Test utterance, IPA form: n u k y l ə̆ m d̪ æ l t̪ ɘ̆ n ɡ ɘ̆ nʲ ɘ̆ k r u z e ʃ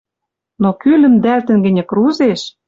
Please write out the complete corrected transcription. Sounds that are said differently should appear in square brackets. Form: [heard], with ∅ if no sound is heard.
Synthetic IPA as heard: n [o] k y l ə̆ m d̪ æ l t̪ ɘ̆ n ɡ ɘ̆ nʲ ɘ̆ k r u z e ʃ